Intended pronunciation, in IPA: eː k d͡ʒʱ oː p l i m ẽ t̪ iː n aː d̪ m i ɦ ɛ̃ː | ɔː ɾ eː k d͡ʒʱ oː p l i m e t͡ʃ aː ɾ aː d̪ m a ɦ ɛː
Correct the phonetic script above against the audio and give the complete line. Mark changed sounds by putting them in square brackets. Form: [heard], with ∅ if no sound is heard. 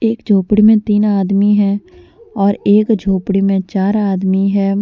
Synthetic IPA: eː k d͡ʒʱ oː p [ɽ] i m ẽ t̪ iː n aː d̪ m i ɦ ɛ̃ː | ɔː ɾ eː k d͡ʒʱ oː p [ɽ] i m [ẽ] t͡ʃ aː ɾ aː d̪ m [i] ɦ ɛː